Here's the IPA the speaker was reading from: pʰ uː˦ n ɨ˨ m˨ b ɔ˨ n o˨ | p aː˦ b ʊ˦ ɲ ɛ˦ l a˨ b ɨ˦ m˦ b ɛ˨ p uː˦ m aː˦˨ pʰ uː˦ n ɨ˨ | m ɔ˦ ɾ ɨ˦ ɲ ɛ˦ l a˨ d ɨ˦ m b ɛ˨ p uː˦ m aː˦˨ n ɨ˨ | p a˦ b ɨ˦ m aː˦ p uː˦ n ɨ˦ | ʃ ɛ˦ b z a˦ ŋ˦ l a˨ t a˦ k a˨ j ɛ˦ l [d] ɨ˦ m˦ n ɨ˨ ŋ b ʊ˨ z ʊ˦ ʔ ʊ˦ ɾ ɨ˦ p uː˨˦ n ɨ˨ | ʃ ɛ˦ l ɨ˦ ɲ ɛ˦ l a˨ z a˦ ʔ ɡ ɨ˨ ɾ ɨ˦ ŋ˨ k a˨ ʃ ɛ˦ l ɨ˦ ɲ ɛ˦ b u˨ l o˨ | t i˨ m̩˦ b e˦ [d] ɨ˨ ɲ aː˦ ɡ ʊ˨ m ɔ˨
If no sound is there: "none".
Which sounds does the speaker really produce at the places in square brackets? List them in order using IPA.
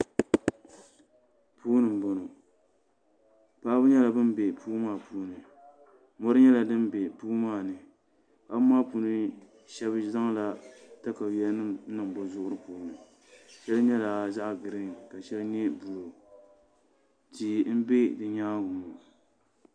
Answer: n, d

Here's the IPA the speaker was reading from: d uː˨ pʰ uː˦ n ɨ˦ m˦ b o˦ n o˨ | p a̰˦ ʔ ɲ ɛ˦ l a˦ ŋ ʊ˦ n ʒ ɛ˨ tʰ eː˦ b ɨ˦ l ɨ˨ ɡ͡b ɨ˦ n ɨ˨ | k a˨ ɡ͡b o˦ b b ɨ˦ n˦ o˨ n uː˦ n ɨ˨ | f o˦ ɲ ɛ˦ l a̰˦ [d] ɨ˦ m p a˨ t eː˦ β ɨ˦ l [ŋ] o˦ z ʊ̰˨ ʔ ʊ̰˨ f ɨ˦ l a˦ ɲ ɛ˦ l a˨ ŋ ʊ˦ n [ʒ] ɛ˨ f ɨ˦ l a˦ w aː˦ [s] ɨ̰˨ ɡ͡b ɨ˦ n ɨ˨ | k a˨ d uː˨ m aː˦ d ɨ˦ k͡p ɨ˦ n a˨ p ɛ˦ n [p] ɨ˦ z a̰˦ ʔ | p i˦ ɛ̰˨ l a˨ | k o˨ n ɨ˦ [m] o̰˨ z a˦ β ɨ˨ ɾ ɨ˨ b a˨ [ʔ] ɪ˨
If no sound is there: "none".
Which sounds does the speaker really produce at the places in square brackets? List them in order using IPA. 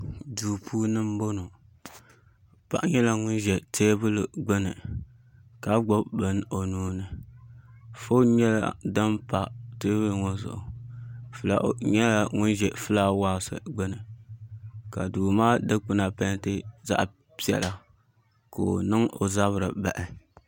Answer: d, ŋ, ʒ, s, t, ŋ, ʔ

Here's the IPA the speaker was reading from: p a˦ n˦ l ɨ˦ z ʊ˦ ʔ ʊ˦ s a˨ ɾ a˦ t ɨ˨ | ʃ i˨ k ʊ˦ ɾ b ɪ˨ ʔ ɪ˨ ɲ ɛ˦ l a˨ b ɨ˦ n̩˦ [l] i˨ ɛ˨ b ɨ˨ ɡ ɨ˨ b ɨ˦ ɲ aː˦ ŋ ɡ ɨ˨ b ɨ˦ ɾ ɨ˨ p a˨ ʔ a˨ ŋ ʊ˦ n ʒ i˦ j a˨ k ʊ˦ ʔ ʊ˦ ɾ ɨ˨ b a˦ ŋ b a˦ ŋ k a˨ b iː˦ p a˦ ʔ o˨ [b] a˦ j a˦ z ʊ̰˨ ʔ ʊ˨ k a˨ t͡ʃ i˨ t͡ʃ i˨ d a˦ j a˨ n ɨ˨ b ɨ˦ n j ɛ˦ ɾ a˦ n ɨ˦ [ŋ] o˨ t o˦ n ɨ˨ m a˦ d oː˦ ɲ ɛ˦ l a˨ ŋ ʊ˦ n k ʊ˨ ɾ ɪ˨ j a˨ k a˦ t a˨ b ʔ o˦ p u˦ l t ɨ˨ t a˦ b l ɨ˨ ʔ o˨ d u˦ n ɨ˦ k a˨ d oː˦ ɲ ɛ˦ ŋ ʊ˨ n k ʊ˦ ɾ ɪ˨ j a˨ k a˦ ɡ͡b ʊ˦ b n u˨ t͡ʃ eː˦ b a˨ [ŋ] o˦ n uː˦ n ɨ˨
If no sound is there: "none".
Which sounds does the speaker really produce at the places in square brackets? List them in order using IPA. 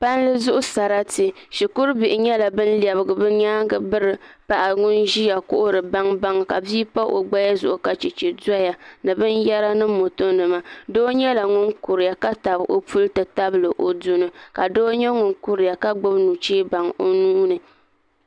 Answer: l, ɡ͡b, m, ŋ

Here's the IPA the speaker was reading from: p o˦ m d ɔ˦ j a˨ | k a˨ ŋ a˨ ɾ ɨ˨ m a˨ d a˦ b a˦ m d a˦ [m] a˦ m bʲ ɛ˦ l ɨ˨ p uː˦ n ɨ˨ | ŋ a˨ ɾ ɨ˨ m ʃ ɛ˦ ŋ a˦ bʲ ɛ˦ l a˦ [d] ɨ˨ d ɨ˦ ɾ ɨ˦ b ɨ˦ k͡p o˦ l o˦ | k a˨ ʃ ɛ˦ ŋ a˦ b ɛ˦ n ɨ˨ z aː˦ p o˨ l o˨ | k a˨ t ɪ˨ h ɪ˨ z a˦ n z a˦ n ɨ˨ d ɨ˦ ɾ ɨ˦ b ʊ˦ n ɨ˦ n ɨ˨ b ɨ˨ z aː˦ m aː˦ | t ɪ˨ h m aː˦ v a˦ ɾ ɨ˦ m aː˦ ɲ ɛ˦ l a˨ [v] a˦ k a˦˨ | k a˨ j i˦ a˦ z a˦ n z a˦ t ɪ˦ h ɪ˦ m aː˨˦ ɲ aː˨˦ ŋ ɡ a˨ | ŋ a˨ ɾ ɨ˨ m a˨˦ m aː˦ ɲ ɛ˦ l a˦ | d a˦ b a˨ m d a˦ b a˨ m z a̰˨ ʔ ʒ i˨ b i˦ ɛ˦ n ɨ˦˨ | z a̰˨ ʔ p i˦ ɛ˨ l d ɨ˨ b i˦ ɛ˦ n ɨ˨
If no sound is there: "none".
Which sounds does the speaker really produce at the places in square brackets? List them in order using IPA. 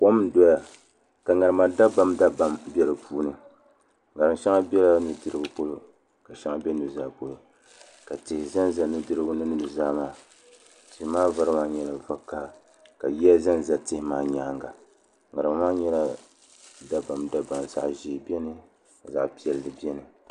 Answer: b, n, v

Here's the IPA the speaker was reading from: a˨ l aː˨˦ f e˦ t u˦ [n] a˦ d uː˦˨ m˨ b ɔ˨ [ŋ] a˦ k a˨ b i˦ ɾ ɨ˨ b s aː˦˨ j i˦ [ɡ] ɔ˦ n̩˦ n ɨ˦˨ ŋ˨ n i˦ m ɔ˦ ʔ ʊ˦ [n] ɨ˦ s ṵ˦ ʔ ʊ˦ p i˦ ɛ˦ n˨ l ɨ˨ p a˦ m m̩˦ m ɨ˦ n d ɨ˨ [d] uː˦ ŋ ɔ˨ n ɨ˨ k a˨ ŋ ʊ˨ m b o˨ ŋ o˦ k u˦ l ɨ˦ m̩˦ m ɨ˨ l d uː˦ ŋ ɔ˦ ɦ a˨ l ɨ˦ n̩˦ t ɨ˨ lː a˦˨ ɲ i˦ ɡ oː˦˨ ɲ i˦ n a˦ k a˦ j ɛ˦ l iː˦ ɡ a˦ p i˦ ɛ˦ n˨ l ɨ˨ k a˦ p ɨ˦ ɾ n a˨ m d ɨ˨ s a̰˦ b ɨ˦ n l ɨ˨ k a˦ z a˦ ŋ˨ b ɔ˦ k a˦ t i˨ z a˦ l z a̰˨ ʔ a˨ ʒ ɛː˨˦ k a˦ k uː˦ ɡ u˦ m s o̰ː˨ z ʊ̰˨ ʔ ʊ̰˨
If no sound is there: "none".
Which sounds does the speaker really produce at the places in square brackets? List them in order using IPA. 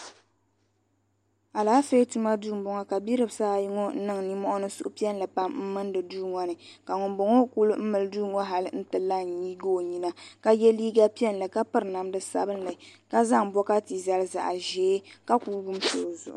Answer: m, ŋ, ŋ, n, d

